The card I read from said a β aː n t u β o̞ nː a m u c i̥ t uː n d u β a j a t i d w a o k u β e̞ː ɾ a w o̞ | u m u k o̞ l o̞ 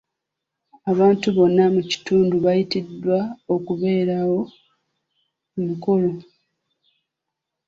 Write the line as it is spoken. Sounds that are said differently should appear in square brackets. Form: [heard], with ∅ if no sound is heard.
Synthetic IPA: a β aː n t u β o̞ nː a m u c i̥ t uː n d u β a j [i] t i d w a o k u β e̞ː ɾ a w o̞ | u m u k o̞ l o̞